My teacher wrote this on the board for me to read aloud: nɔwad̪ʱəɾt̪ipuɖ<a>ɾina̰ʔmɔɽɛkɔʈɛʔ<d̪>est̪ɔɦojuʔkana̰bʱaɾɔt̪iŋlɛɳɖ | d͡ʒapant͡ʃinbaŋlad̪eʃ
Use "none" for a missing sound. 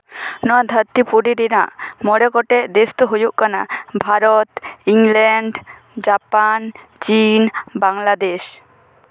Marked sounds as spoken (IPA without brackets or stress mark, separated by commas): i, d̪